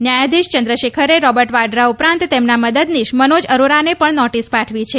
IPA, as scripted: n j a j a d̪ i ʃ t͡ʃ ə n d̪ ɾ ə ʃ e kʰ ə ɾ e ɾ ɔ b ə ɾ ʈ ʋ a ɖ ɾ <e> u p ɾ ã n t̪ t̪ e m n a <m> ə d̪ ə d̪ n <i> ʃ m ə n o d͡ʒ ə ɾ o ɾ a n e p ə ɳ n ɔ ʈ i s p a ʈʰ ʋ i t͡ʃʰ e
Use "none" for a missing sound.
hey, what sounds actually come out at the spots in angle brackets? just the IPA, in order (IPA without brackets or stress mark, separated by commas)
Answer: a, m, i